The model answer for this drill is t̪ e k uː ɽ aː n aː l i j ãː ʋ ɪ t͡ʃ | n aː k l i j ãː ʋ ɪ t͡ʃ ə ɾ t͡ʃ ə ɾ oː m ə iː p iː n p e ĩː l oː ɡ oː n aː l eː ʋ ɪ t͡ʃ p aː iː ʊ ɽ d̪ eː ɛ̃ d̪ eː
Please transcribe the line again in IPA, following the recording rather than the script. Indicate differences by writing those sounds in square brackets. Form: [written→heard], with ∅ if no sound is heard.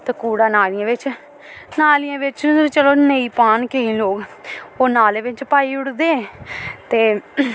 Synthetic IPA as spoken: t̪ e k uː ɽ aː n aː l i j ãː ʋ ɪ t͡ʃ | n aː [k→∅] l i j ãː ʋ ɪ t͡ʃ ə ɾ t͡ʃ ə [ɾ→l] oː [m→n] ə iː p [iː→aː] n [p→k] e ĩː l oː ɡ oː n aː l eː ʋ ɪ t͡ʃ p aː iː ʊ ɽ d̪ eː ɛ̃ [d̪→t̪] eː